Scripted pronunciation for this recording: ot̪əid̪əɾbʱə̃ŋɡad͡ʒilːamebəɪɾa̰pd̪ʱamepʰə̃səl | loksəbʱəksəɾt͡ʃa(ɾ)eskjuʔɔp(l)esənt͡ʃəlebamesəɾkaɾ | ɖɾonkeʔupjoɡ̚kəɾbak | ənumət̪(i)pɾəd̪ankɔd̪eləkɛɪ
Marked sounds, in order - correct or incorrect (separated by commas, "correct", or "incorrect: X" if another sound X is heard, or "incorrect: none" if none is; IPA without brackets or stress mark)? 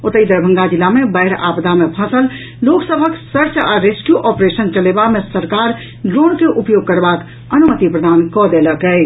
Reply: correct, incorrect: ɾ, correct